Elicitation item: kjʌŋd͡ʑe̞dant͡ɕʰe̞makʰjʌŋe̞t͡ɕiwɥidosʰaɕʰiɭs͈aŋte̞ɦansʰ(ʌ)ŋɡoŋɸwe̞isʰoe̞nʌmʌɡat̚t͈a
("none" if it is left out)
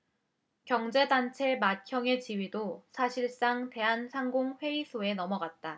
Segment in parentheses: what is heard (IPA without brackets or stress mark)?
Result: a